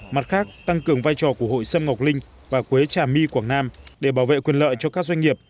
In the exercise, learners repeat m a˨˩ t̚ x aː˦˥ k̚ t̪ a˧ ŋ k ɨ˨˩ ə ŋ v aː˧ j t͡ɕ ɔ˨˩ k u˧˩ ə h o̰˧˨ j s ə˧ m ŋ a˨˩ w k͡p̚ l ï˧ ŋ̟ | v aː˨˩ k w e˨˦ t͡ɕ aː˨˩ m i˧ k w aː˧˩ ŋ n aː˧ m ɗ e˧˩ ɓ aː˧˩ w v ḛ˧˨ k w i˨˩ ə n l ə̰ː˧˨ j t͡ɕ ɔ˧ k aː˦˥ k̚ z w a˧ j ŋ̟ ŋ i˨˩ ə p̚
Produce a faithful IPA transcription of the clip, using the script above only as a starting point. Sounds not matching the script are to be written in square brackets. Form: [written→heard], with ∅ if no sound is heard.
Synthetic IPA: m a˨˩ t̚ x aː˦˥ k̚ t̪ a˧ ŋ k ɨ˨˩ ə ŋ v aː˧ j t͡ɕ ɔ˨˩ k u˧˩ ə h o̰˧˨ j s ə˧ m ŋ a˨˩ w k͡p̚ l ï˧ ŋ̟ | v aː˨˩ k w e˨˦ t͡ɕ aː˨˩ m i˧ k w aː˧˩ ŋ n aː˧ m ɗ e˧˩ ɓ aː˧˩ w v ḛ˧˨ k w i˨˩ ə n l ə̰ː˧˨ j t͡ɕ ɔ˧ k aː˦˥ k̚ z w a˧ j ŋ̟ ŋ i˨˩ ə p̚